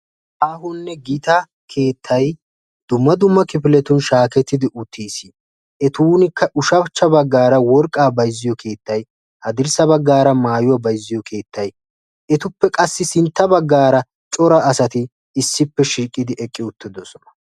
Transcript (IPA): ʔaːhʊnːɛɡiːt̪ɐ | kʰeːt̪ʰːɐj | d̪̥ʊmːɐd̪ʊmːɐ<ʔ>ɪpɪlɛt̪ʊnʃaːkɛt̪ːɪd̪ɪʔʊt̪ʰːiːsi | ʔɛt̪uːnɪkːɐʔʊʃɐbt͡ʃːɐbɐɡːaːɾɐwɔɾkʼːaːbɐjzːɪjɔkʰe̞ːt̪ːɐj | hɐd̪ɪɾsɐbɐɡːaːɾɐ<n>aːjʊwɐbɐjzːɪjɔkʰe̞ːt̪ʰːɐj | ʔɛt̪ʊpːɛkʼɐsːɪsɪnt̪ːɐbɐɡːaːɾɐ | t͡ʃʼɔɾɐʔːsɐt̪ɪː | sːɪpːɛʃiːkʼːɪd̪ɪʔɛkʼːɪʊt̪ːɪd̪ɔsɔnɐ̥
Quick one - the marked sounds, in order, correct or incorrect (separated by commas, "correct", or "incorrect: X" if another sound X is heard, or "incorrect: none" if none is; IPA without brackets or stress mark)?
incorrect: k, incorrect: m